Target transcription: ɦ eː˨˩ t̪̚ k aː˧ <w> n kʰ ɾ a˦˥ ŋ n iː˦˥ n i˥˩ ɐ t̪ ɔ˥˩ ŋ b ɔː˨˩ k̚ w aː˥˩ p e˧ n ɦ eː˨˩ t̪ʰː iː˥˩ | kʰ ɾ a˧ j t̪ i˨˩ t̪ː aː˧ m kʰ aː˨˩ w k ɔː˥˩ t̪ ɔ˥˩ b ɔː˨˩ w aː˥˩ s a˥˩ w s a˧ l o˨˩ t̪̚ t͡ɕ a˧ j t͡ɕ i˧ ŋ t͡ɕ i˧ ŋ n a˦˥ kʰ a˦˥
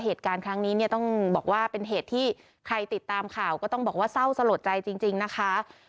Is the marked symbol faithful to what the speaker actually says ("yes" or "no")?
no